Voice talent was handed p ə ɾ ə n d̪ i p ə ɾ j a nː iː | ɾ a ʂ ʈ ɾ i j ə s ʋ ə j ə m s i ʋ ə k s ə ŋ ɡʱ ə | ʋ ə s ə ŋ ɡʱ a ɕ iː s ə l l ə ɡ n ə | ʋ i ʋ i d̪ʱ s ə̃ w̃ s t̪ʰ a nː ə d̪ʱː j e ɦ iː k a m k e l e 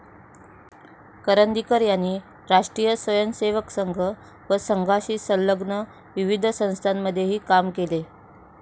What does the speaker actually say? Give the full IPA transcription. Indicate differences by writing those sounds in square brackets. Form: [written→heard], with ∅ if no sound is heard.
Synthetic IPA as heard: [p→k] ə ɾ ə n d̪ i [p→k] ə ɾ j a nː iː | ɾ a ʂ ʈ ɾ i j ə s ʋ ə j ə [m→n] s [i→e] ʋ ə k s ə ŋ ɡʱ ə | ʋ ə s ə ŋ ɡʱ a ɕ iː s ə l l ə ɡ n ə | ʋ i ʋ i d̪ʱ s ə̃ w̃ s t̪ʰ a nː ə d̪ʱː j e ɦ iː k a m k e l e